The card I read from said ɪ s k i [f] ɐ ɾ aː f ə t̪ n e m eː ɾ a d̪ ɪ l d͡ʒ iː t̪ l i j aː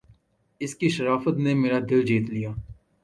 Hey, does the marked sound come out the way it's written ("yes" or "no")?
no